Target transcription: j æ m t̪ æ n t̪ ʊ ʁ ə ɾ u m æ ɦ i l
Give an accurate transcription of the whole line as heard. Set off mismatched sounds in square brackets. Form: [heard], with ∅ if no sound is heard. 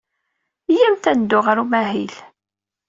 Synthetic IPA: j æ m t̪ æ n [d̪] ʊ ʁ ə ɾ u m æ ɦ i l